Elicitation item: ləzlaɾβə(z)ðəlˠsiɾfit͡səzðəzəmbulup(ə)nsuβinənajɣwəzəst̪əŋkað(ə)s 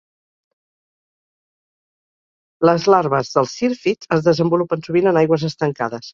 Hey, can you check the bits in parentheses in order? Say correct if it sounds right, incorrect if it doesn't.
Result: correct, correct, correct

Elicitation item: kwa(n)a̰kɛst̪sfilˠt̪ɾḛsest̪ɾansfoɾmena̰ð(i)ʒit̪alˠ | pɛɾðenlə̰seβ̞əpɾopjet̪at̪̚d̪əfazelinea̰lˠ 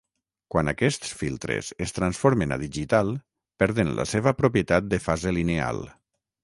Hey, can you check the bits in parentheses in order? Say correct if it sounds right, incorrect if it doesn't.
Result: correct, correct

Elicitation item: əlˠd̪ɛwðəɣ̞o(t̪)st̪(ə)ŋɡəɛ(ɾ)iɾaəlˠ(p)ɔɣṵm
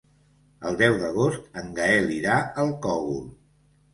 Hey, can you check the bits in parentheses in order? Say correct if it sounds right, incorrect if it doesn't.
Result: incorrect: none, correct, incorrect: l, incorrect: k

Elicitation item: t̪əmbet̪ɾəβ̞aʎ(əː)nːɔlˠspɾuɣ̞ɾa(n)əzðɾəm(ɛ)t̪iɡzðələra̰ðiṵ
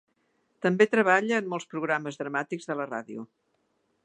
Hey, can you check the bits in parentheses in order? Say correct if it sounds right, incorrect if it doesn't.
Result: correct, incorrect: m, incorrect: a

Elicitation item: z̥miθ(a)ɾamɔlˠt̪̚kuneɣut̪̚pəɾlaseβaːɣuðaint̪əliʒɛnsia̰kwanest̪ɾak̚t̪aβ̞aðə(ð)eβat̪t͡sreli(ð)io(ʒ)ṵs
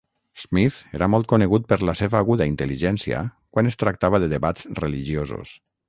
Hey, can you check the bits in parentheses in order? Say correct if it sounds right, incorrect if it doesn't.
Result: incorrect: e, correct, incorrect: ʒ, incorrect: z

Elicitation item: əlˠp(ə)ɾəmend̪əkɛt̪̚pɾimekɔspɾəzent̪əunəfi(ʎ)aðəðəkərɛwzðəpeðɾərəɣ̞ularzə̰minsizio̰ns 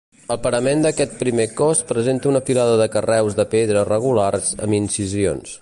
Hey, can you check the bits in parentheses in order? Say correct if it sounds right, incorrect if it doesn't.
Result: correct, incorrect: l

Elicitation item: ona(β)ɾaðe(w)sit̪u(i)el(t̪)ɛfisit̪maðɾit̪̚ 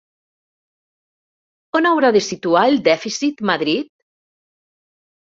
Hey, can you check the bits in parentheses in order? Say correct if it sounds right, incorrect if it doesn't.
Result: incorrect: w, incorrect: none, incorrect: a, incorrect: d̪

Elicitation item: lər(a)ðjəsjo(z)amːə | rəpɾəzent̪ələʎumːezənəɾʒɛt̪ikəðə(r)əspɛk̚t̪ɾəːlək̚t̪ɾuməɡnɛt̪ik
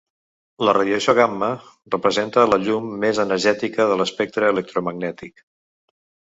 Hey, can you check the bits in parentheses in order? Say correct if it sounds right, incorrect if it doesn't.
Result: incorrect: ə, incorrect: ɣ, incorrect: l

